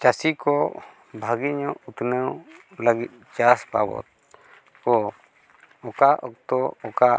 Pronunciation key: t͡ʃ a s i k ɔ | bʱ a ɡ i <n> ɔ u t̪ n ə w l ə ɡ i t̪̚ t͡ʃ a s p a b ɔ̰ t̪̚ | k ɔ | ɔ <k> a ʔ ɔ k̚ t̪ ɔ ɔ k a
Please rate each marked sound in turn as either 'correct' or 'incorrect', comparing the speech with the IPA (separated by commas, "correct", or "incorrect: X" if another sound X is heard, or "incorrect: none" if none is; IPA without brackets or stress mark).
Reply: incorrect: ɲ, correct